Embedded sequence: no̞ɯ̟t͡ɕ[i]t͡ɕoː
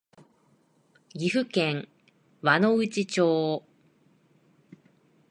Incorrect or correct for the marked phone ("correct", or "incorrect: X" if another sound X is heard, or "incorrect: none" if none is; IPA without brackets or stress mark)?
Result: correct